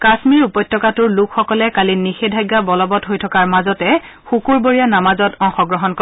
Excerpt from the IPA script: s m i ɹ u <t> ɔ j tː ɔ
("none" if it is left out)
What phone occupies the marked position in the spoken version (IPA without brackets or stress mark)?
p